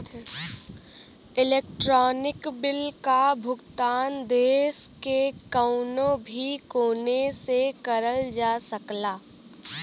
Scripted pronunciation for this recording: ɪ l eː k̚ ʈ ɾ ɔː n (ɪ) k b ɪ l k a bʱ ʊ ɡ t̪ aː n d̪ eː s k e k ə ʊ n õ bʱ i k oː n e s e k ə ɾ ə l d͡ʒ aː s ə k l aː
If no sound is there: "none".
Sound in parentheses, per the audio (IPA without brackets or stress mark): ɪ